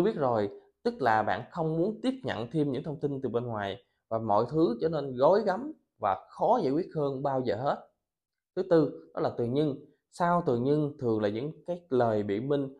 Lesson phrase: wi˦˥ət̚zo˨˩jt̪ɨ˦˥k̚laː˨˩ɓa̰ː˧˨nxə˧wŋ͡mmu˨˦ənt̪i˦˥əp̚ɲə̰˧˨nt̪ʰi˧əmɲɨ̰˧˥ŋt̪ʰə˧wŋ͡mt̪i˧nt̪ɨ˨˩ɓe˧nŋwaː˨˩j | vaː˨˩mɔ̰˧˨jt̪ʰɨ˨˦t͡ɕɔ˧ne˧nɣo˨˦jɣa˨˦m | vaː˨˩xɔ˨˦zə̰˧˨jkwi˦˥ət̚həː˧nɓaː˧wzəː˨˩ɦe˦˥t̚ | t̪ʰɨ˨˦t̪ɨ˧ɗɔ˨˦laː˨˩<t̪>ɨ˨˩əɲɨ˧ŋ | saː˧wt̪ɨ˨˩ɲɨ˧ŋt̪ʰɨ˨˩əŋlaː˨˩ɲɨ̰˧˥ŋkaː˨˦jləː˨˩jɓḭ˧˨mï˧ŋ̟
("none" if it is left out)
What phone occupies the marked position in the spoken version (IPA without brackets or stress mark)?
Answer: t̪